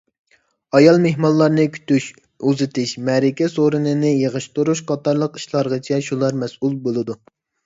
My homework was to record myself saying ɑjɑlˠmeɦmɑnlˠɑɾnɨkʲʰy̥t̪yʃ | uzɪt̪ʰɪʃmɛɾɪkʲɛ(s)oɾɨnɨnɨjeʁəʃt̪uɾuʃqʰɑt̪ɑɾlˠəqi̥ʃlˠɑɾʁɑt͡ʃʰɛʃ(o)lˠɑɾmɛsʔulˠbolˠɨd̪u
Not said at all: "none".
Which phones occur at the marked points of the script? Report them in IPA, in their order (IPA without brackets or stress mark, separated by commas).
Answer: s, u